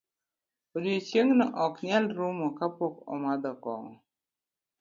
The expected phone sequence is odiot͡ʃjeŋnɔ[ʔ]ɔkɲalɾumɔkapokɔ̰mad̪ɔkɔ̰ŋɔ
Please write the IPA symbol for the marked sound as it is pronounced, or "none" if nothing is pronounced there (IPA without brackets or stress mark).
ʔ